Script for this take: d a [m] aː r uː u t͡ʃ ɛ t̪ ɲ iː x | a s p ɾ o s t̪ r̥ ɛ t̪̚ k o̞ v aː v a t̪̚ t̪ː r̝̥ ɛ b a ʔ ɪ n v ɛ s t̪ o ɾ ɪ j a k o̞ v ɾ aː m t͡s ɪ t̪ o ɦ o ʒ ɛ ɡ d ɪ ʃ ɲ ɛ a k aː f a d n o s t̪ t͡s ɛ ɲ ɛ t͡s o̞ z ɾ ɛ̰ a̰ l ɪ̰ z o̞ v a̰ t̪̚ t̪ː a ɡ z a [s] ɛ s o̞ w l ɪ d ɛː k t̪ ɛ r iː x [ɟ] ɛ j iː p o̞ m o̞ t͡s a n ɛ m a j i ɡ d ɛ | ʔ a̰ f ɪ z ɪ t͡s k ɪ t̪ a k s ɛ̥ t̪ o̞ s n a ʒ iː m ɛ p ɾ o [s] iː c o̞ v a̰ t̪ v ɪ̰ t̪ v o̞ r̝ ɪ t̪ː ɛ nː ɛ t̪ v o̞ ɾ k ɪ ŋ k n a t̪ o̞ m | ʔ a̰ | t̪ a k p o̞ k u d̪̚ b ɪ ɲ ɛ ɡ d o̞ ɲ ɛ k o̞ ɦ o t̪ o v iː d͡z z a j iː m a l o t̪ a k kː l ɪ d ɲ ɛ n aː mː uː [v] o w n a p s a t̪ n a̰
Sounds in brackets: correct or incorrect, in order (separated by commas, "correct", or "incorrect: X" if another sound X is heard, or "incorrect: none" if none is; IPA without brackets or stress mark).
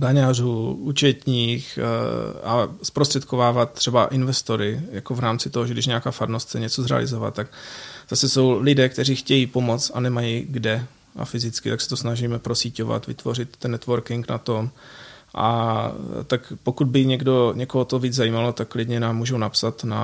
incorrect: ɲ, correct, incorrect: c, correct, incorrect: ʒ